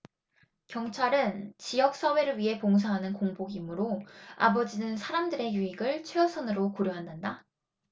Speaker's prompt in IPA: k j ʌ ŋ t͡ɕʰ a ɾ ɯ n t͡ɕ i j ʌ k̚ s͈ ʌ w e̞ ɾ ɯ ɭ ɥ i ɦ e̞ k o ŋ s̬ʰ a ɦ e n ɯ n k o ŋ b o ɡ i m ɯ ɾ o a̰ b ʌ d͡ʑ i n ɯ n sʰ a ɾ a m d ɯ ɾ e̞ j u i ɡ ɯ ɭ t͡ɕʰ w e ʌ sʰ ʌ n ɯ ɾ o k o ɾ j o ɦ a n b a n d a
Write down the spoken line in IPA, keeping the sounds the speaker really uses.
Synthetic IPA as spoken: k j ʌ ŋ t͡ɕʰ a ɾ ɯ n t͡ɕ i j ʌ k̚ s͈ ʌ w e̞ ɾ ɯ ɭ ɥ i ɦ e̞ p o ŋ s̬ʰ a ɦ a n ɯ n k o ŋ b o ɡ i m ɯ ɾ o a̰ b ʌ d͡ʑ i n ɯ n sʰ a ɾ a m d ɯ ɾ e̞ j u i ɡ ɯ ɭ t͡ɕʰ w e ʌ sʰ ʌ n ɯ ɾ o k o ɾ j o ɦ a n d a n d a